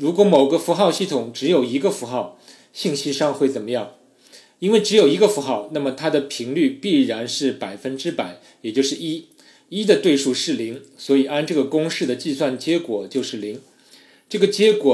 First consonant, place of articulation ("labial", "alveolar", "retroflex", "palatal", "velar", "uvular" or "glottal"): retroflex